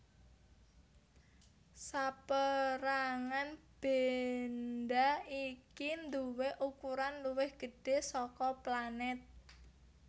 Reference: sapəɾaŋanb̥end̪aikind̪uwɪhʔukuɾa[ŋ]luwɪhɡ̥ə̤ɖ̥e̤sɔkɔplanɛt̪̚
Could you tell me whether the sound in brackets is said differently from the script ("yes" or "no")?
yes